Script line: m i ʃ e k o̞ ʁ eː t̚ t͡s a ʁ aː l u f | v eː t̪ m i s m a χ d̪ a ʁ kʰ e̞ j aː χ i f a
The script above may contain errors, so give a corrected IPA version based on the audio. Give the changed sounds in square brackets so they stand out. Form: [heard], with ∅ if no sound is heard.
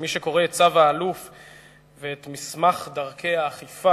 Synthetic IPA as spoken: m i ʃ e k o̞ ʁ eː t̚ t͡s a [v] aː l u f | v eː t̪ m i s m a χ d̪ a ʁ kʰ e̞ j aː χ i f a